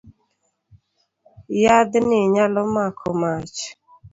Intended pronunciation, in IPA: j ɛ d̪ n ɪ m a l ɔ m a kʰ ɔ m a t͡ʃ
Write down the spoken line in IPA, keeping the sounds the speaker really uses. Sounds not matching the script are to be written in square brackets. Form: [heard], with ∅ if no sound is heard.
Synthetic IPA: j [a] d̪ n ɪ [ɲ] a l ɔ m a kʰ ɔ m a t͡ʃ

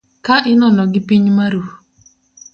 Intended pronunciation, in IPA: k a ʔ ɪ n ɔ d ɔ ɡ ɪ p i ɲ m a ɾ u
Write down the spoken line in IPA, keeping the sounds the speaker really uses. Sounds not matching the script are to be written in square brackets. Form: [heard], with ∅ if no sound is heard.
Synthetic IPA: k a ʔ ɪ n ɔ [n] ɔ ɡ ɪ p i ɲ m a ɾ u

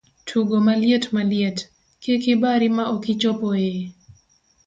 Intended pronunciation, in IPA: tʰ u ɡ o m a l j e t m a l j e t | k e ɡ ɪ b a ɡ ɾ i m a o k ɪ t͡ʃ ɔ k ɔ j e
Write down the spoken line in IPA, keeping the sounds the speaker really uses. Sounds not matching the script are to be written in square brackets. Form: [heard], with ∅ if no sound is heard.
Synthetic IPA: tʰ u ɡ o m a l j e t m a l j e t | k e [k] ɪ b a [∅] ɾ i m a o k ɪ t͡ʃ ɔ [p] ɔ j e

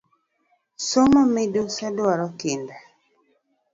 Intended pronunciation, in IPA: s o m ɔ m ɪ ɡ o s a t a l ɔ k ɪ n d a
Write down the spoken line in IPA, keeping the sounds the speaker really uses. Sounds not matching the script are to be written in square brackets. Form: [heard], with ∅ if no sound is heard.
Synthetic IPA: s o m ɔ m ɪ [d] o s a [d] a [ɾ] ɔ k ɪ n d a

